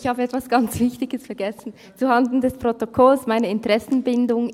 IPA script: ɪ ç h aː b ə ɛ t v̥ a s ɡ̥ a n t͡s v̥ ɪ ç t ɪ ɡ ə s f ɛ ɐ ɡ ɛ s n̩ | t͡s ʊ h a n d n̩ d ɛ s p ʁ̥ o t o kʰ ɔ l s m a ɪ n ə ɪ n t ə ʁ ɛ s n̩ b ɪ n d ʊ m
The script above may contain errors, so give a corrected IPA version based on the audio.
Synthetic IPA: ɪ ç h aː b ə ɛ t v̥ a s ɡ̥ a n t͡s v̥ ɪ ç t ɪ ɡ ə s f ɛ ɐ ɡ ɛ s n̩ | t͡s u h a n d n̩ d ɛ s p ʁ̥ o t o kʰ ɔ l s m a ɪ n ə ɪ n t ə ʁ ɛ s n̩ b ɪ n d ʊ ŋ